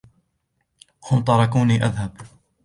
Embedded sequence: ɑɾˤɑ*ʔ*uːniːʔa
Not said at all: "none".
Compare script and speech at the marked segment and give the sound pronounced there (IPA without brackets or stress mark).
k